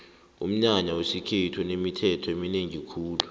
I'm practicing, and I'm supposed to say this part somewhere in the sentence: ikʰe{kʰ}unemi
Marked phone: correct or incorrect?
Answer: incorrect